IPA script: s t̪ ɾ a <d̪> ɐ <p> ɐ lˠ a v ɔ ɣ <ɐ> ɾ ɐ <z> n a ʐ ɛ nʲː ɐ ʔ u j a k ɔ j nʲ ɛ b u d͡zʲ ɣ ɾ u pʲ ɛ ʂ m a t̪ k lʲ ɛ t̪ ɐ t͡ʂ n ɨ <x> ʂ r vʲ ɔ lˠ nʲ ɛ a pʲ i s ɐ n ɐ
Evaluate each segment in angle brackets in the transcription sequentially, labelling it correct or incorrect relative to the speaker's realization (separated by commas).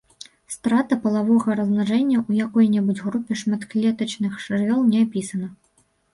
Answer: incorrect, correct, correct, correct, correct